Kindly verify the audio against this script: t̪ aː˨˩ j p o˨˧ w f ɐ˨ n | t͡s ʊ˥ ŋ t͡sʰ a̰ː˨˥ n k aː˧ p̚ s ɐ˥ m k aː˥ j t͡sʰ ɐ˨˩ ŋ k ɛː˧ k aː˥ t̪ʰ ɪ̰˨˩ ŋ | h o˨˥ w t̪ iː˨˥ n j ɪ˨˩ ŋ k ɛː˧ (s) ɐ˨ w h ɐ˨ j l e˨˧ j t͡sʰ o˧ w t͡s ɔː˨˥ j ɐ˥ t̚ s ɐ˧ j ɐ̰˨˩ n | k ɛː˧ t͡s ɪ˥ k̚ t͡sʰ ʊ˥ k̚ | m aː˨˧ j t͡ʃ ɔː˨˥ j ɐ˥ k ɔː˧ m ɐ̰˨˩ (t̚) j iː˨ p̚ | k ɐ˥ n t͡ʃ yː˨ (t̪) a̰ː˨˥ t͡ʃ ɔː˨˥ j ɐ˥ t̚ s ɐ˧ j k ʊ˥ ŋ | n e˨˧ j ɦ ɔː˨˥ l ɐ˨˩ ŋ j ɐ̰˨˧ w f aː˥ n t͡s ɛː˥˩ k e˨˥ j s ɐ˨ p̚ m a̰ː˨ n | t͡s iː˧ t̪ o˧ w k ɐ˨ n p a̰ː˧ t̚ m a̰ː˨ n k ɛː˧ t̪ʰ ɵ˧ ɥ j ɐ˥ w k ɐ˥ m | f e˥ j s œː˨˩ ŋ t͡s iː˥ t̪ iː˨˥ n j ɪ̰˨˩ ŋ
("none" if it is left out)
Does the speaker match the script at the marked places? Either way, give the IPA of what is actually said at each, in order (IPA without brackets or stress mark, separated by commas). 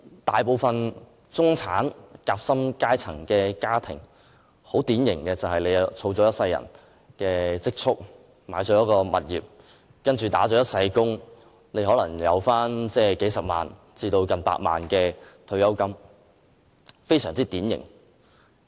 t͡s, t̚, t̪